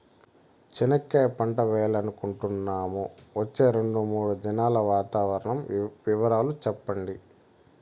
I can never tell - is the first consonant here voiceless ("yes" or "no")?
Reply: yes